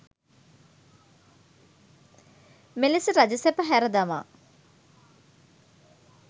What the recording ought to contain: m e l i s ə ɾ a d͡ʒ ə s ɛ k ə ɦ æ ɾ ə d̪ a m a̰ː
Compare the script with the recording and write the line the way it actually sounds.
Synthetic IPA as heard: m e l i s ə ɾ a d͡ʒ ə s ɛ p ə ɦ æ ɾ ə d̪ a m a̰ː